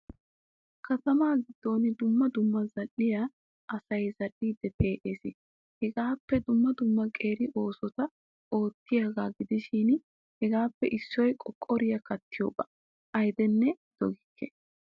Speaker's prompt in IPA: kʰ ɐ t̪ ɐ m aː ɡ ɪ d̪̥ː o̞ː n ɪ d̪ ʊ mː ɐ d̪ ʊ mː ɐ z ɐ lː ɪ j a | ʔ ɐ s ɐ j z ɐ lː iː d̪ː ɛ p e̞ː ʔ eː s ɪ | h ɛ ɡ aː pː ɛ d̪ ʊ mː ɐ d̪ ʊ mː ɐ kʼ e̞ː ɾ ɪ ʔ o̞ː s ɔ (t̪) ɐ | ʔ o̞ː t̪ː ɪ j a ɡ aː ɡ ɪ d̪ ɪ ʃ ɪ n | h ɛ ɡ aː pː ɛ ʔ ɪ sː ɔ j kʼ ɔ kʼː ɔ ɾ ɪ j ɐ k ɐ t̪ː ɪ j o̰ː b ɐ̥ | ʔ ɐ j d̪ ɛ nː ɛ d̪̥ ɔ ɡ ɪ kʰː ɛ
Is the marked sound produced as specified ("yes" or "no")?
yes